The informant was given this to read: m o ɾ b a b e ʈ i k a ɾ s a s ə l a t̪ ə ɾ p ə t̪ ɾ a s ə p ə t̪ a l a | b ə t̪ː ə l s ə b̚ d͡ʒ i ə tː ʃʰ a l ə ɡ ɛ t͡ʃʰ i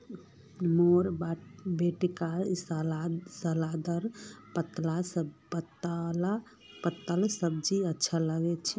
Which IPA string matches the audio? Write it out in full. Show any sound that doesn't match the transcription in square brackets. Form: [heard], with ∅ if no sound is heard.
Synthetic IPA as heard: m o ɾ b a b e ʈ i k a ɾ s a s ə l a [d̪] ə ɾ p ə t̪ [l] a s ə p ə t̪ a l a | [p] ə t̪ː ə l s ə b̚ d͡ʒ i ə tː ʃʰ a l ə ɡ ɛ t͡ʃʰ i